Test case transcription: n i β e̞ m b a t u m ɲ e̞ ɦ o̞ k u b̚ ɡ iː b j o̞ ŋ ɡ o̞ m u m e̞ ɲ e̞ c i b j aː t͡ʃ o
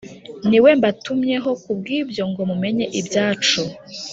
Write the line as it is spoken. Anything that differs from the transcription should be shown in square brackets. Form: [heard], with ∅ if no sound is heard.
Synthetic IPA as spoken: n i [w] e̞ m b a t u m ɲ e̞ ɦ o̞ k u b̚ ɡ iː b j o̞ ŋ ɡ o̞ m u m e̞ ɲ e̞ [ʔ] i b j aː t͡ʃ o